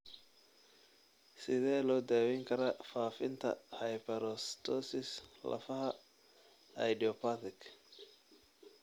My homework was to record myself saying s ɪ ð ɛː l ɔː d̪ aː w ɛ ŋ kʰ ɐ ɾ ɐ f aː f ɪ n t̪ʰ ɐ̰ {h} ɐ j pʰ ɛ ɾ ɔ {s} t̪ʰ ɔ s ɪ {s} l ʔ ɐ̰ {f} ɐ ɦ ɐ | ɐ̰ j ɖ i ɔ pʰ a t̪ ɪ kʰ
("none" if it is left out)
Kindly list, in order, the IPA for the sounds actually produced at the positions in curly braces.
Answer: h, s, s, f

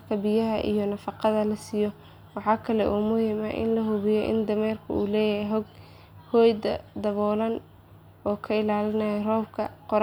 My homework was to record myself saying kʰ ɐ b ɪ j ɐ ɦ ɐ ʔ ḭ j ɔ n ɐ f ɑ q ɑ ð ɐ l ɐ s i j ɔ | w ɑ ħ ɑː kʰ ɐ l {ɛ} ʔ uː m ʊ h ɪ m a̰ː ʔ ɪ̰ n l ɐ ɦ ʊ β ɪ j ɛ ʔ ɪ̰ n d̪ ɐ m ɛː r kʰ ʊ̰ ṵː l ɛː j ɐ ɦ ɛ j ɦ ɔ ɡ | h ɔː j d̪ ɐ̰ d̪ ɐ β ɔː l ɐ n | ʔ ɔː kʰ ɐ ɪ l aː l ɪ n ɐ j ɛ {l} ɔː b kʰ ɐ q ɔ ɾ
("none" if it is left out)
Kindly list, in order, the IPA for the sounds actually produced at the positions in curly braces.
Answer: ɛ, r

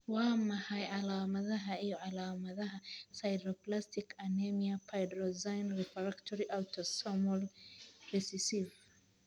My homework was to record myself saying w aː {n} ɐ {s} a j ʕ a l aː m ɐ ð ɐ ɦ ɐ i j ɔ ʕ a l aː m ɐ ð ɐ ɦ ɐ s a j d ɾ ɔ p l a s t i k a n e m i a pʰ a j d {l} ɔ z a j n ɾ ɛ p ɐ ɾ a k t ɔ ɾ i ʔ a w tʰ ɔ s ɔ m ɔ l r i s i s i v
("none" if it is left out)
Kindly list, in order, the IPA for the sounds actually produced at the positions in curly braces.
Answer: m, h, ɾ

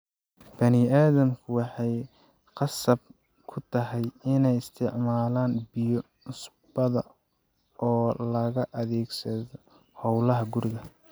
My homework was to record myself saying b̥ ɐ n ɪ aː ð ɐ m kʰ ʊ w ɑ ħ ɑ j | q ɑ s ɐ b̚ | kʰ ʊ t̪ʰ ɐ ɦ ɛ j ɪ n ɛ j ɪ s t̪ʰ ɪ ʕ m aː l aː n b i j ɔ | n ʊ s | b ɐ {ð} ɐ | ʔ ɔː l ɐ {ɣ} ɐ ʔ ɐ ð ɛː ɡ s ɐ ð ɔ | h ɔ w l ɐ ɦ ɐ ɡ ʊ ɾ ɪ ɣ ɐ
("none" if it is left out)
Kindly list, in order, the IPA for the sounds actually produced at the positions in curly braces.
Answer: ð, ɣ

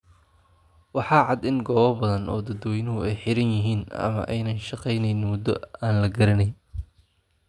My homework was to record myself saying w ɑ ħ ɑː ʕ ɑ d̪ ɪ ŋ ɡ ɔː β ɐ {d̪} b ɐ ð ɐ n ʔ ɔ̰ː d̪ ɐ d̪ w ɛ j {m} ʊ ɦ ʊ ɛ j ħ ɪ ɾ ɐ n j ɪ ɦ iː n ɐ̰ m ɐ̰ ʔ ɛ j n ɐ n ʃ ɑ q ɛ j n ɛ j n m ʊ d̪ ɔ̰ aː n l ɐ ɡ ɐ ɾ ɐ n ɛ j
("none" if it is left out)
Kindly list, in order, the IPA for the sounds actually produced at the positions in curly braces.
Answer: none, n

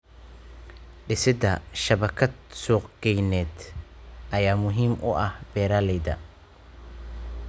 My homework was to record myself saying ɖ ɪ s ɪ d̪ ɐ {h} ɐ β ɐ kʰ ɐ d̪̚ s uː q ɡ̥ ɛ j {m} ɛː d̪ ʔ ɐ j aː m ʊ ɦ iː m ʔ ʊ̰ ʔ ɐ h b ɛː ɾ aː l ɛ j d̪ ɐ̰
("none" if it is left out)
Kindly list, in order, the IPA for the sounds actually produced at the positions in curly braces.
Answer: ʃ, n

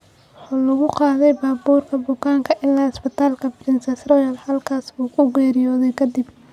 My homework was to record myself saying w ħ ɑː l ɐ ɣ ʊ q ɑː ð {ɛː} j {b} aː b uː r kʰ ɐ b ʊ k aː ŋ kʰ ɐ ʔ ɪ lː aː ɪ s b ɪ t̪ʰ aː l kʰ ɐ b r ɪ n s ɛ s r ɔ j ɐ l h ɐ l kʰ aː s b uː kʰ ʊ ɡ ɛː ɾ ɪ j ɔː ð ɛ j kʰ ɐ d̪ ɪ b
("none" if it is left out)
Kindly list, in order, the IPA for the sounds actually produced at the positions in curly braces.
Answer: ɛ, b

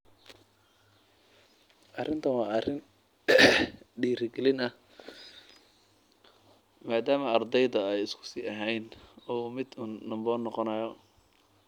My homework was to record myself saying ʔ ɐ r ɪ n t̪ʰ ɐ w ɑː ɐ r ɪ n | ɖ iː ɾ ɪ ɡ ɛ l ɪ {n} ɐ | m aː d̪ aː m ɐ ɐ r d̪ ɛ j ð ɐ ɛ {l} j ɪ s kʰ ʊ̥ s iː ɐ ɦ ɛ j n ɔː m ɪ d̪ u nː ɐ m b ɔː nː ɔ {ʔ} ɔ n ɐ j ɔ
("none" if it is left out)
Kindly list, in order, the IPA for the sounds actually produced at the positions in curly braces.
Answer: n, none, q

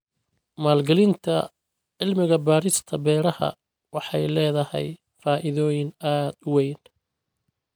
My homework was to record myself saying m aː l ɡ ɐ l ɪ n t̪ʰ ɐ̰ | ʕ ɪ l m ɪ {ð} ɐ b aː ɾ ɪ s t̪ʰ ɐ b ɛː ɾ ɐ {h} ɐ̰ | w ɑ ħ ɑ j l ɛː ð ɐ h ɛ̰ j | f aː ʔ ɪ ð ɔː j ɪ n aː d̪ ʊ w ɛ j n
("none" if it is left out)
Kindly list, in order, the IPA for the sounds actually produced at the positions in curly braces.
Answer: ɣ, h

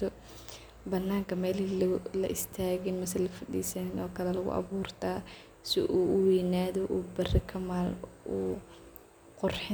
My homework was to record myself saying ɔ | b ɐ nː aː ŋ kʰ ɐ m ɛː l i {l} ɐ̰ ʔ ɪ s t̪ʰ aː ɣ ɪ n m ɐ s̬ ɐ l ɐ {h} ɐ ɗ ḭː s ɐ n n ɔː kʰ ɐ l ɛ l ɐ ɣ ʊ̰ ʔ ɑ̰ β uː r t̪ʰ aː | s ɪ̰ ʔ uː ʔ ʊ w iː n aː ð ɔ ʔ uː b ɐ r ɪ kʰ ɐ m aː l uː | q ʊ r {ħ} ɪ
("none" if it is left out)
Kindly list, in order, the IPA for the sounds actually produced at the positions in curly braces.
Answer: l, f, ħ

